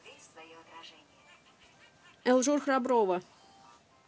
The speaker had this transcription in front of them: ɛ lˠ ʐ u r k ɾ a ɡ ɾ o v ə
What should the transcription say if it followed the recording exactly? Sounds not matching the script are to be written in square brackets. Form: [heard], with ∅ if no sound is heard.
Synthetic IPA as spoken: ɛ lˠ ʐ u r [x] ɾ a [b] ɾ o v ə